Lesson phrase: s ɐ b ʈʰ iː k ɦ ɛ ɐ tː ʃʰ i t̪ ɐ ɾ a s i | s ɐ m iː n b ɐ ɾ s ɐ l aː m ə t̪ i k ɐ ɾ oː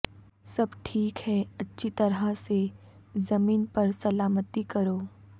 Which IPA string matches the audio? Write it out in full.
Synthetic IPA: s ɐ b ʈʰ iː k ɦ ɛ ɐ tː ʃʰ i t̪ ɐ ɾ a s e | z ɐ m iː n p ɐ ɾ s ɐ l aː m ə t̪ i k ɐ ɾ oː